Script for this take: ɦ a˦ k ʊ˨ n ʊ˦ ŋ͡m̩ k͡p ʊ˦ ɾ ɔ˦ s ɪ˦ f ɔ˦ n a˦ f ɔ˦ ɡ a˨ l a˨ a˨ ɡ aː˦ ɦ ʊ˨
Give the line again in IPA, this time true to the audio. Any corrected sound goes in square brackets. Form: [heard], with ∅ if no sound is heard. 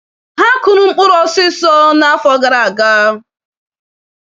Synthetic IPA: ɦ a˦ k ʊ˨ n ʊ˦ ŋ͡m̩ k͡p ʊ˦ ɾ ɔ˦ s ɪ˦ [s] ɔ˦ n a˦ f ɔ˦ ɡ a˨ [ɾ] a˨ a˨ ɡ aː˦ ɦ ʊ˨